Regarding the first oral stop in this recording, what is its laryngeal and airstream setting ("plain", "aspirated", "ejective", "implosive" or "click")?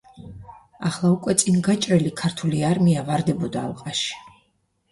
ejective